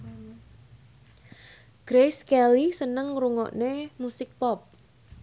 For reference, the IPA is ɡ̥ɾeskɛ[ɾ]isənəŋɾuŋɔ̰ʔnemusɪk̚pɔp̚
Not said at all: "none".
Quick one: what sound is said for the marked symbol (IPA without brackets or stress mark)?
l